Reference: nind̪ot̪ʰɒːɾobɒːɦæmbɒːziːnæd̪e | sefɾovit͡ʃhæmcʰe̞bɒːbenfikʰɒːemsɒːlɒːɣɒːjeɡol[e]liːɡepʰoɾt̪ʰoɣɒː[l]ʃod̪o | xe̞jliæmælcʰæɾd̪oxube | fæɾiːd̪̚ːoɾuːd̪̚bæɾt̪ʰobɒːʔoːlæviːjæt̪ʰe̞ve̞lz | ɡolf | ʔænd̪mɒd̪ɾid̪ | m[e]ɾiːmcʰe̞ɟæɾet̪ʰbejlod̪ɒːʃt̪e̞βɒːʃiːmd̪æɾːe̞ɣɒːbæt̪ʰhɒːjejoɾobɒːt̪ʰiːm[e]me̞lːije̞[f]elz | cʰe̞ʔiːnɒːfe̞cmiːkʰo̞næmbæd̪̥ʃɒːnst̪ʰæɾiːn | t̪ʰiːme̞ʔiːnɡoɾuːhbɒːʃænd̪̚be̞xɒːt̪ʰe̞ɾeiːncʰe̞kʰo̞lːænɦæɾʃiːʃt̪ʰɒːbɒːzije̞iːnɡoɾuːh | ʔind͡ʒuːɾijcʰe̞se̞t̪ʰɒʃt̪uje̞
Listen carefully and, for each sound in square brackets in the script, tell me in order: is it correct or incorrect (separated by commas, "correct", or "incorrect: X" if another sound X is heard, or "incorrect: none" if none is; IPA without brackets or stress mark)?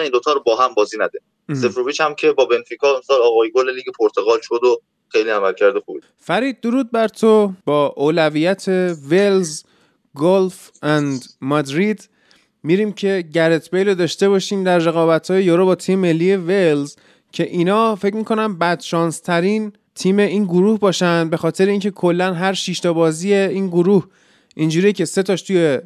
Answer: correct, correct, incorrect: i, correct, incorrect: v